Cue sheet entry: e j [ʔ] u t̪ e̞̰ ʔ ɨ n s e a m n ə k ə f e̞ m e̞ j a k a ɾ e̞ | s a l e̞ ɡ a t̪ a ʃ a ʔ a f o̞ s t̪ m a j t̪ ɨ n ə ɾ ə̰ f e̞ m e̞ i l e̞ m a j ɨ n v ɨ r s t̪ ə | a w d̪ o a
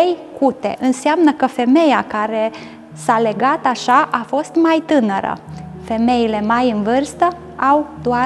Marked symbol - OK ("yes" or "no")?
no